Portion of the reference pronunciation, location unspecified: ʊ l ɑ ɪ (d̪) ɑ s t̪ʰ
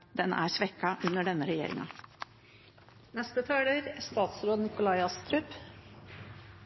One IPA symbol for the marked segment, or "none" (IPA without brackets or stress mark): none